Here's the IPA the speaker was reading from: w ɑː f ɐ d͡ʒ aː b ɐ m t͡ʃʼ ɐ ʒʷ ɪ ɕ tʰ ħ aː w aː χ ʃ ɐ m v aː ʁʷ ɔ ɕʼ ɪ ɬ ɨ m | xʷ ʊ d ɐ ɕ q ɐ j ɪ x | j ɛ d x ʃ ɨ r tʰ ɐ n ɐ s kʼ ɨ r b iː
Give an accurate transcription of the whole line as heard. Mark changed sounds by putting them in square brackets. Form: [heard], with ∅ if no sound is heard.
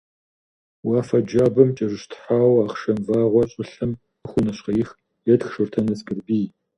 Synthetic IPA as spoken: w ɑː f ɐ d͡ʒ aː b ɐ m t͡ʃʼ ɐ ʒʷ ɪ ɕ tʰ ħ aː w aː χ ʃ ɐ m v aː ʁʷ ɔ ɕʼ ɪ ɬ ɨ m | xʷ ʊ [n] ɐ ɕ q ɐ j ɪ x | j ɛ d x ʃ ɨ r tʰ ɐ n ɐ s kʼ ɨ r b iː